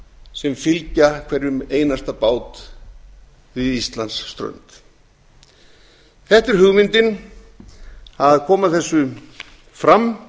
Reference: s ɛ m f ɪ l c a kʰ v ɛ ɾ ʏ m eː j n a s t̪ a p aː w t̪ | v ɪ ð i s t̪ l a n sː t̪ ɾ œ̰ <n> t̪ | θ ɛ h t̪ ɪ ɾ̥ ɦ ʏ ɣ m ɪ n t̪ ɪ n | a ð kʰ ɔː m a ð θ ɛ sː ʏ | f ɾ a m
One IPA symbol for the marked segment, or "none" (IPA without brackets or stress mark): n